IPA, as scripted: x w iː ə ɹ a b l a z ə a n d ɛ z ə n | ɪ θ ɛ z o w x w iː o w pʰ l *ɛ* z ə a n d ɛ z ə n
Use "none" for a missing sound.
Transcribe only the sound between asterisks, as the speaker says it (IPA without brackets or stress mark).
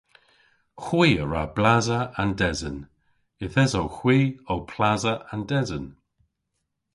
a